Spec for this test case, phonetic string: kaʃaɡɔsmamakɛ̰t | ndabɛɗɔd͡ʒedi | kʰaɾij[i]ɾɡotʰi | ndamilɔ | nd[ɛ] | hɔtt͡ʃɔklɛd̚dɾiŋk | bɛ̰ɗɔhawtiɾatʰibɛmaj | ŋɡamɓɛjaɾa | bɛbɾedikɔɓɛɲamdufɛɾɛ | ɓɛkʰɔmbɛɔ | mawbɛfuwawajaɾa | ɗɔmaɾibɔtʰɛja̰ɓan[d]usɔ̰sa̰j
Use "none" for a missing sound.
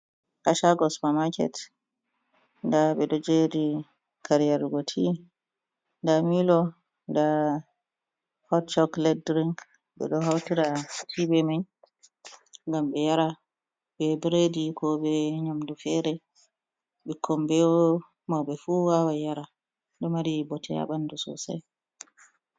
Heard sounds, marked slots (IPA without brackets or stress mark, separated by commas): a, a, d